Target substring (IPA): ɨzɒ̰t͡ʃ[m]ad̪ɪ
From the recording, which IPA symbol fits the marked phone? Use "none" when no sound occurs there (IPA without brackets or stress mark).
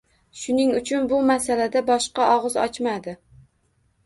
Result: m